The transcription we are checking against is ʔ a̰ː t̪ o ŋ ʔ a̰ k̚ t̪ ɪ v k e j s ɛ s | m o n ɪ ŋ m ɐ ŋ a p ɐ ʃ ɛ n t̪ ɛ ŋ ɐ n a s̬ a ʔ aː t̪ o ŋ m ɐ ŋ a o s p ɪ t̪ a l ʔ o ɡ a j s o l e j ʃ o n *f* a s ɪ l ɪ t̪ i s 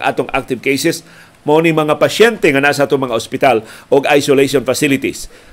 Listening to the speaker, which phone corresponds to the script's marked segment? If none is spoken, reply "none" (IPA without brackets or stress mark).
f